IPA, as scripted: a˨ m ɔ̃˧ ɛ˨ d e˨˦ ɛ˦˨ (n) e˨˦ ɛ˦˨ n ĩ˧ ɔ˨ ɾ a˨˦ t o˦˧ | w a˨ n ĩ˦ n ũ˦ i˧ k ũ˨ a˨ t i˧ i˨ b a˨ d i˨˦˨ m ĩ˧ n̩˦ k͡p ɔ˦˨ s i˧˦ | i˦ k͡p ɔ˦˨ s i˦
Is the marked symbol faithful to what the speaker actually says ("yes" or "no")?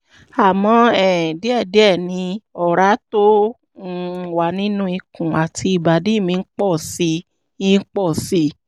no